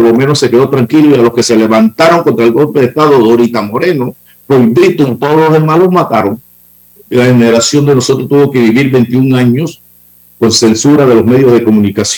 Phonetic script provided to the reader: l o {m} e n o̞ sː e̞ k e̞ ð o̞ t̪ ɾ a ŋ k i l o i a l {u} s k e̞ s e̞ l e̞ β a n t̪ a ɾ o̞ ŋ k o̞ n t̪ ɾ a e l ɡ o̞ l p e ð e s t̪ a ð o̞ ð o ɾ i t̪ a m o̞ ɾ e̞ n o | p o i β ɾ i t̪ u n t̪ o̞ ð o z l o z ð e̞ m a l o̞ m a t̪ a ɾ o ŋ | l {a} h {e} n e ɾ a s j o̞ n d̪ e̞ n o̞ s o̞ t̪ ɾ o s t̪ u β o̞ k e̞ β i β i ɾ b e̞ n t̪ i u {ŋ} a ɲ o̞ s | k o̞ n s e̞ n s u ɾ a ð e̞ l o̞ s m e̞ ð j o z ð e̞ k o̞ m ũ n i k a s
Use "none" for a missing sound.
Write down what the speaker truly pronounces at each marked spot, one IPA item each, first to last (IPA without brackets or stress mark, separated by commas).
m, o, a, e, ŋ